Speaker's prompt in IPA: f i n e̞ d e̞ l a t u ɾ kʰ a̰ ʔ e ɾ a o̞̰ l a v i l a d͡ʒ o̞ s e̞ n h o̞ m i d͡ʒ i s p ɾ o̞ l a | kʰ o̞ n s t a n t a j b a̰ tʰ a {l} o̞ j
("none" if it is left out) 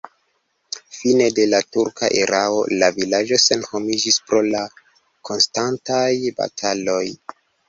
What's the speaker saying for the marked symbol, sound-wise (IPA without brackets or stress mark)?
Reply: l